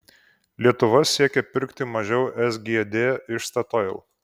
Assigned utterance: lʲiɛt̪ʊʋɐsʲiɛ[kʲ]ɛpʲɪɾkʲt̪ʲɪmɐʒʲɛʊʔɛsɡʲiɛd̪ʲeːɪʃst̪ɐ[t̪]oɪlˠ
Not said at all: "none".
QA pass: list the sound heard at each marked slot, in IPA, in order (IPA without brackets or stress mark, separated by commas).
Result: kʲ, t̪